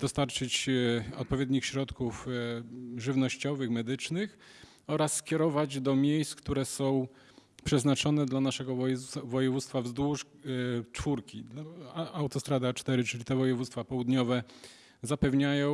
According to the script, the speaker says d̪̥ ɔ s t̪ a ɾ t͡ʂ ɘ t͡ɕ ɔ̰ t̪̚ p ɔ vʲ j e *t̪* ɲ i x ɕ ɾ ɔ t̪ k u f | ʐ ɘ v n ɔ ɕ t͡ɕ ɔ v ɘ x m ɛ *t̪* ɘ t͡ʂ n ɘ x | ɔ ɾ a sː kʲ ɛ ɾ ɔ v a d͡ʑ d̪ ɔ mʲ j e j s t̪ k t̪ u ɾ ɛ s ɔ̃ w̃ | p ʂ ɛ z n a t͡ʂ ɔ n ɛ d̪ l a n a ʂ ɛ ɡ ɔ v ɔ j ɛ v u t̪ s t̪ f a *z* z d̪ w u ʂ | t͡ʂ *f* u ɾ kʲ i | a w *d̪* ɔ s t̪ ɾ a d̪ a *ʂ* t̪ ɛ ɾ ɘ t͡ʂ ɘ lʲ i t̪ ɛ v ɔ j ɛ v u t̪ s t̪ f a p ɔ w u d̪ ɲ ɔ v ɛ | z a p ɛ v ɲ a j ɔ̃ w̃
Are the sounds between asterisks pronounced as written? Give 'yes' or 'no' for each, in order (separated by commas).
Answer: no, no, no, yes, no, no